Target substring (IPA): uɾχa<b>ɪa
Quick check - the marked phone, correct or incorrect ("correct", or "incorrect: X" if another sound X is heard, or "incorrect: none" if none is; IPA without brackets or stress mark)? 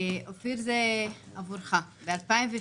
correct